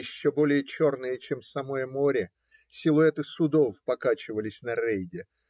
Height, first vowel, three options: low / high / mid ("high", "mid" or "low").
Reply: high